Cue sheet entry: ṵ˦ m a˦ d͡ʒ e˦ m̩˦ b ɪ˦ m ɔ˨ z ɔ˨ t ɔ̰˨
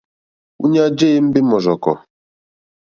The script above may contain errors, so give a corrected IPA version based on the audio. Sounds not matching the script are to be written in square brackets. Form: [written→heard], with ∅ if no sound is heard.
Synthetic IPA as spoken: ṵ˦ [m→ɲ] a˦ d͡ʒ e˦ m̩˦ b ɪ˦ m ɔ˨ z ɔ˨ [t→k] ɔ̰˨